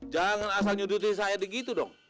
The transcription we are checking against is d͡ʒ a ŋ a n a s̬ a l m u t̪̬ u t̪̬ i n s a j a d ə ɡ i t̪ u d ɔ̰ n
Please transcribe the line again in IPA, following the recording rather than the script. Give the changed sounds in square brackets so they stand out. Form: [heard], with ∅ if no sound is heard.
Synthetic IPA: d͡ʒ a ŋ a n a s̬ a l [ɲ] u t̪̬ u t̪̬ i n s a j a d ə ɡ i t̪ u d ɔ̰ [ŋ]

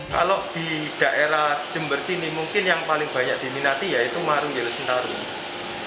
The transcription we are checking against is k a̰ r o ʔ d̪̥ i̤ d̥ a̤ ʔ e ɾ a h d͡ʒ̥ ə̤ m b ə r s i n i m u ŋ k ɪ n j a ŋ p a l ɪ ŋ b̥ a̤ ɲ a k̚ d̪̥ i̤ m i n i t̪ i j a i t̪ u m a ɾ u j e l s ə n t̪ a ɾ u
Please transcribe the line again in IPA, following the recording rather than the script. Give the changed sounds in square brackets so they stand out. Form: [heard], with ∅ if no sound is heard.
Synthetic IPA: k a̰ [l] o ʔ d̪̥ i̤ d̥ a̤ ʔ e ɾ a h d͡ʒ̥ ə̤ m b ə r s i n i m u ŋ k ɪ n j a ŋ p a l ɪ ŋ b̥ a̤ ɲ a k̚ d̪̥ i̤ m i n [a] t̪ i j a i t̪ u m a ɾ u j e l s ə n t̪ a ɾ u

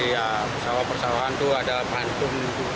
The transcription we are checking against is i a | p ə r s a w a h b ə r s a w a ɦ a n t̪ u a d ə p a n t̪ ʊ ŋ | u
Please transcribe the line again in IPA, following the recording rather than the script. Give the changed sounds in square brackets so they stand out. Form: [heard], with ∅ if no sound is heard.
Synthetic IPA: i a | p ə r s a w a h [p] ə r s a w a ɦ a n t̪ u a d [a] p a n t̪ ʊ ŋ | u

